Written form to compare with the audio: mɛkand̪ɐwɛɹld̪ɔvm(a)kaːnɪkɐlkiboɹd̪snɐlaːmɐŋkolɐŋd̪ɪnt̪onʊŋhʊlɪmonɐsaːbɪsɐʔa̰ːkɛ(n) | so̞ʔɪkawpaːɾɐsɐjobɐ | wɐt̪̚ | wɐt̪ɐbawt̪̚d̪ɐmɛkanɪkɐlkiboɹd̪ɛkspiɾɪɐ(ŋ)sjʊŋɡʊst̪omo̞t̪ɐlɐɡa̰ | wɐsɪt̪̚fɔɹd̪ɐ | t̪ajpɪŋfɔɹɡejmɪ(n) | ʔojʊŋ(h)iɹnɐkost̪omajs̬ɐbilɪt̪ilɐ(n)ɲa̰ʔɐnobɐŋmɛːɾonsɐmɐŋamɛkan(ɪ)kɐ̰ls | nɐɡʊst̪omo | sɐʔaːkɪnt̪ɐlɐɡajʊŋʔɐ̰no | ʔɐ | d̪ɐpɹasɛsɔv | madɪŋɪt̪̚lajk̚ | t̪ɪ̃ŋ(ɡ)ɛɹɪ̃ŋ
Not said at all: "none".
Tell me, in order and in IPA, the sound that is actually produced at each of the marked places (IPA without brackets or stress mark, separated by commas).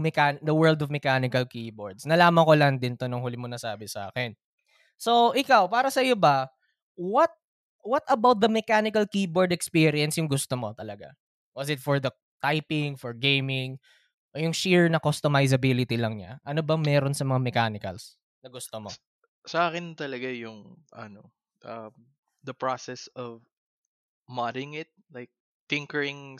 ɛ, n, n, ŋ, ʃ, ŋ, ɪ, k